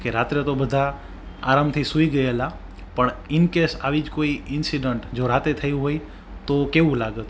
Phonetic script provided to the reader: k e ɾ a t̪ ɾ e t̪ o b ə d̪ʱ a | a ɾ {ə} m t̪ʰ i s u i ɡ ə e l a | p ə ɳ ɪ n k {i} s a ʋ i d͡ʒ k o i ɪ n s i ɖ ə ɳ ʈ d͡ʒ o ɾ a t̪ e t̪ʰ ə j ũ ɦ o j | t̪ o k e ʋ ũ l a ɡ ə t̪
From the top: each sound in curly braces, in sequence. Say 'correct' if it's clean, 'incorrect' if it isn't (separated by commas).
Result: incorrect, incorrect